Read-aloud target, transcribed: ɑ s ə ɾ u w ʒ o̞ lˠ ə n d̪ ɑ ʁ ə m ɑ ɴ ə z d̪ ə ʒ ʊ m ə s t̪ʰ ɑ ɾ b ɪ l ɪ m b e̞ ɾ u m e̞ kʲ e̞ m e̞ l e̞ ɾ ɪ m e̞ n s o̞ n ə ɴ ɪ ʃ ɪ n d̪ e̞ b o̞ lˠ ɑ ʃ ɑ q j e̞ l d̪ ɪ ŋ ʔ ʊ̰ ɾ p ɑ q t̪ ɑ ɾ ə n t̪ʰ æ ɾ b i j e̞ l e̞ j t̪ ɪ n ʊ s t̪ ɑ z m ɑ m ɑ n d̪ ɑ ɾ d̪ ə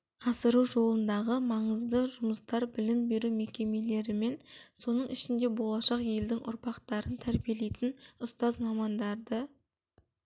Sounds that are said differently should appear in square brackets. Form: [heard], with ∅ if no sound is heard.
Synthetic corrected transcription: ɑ s ə ɾ u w ʒ o̞ lˠ ə n d̪ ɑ ʁ ə m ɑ ɴ ə z d̪ ə ʒ ʊ m ə s [t̪] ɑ ɾ b ɪ l ɪ m b e̞ ɾ u m e̞ kʲ e̞ m e̞ l e̞ ɾ ɪ m e̞ n s o̞ n ə ɴ ɪ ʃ ɪ n d̪ e̞ b o̞ lˠ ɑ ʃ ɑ q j e̞ l d̪ ɪ ŋ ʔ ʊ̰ ɾ p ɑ q t̪ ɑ ɾ ə n t̪ʰ æ ɾ b i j e̞ l e̞ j t̪ ɪ n ʊ s t̪ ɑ z m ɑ m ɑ n d̪ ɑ ɾ d̪ ə